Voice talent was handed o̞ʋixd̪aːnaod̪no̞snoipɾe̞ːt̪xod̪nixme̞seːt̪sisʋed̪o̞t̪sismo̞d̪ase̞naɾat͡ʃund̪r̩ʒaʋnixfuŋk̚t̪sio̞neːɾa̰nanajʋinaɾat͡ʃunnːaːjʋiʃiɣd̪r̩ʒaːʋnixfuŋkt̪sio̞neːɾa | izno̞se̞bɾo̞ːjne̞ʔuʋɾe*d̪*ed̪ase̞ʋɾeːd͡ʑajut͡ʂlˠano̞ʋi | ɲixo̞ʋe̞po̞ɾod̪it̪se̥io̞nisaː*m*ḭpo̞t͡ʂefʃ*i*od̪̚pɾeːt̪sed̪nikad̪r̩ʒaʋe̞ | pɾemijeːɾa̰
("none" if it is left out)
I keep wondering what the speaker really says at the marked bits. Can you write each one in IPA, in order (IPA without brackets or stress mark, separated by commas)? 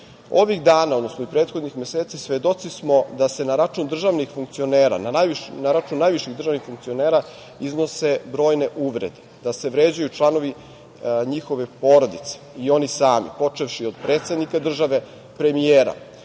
d̪, m, i